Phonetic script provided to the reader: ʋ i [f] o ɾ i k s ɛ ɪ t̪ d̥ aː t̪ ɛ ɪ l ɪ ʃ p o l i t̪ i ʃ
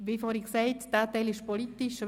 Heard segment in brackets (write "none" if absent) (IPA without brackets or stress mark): f